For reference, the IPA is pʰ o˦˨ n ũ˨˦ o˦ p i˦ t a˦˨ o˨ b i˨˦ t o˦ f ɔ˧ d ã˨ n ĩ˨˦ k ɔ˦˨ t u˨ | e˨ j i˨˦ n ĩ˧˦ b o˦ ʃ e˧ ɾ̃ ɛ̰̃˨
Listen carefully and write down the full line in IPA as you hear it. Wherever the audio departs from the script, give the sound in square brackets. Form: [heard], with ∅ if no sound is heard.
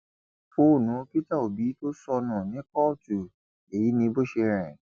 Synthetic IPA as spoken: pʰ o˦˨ n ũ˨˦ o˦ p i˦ t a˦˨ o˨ b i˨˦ t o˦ [s] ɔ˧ [n] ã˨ n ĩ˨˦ k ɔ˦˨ t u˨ | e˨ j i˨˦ n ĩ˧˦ b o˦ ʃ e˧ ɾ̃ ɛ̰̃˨